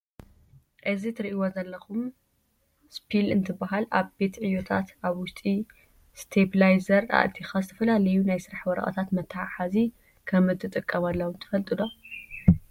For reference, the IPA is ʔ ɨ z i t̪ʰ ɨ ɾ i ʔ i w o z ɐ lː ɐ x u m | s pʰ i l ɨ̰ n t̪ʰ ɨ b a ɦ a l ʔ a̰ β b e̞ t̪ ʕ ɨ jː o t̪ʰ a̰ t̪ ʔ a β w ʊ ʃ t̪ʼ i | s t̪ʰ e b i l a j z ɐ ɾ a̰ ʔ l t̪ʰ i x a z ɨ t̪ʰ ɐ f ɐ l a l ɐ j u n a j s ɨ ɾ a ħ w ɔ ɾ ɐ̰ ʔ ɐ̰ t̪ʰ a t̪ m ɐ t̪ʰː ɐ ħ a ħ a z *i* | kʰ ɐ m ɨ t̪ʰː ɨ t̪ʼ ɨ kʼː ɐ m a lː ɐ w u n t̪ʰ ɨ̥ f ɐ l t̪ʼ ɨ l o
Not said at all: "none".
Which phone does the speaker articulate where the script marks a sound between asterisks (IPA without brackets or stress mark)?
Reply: i